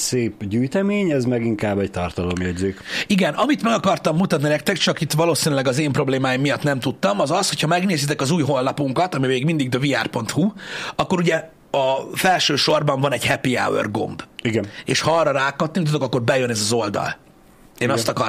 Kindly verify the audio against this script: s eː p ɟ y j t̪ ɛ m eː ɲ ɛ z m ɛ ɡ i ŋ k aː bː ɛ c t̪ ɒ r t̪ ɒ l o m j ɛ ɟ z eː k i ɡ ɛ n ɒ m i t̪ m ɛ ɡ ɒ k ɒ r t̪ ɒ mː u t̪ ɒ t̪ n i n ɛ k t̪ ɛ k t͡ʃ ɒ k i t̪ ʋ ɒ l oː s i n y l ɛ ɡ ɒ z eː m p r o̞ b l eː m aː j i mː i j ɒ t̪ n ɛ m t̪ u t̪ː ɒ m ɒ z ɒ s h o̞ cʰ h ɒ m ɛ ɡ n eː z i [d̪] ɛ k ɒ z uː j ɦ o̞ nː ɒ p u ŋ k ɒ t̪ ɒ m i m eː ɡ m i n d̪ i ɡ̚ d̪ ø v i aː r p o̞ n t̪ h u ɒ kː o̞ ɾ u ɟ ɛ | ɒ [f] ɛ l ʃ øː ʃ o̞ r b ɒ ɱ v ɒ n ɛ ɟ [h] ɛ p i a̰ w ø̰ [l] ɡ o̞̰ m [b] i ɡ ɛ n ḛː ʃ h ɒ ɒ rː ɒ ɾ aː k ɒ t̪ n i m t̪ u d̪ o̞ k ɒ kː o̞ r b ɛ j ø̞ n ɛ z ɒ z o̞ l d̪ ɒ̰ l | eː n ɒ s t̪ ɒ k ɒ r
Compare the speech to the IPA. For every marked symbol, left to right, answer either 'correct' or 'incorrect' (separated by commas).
incorrect, correct, correct, incorrect, correct